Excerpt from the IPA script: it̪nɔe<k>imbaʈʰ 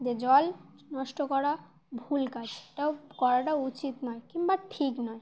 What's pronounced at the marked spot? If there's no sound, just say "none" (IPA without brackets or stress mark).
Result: k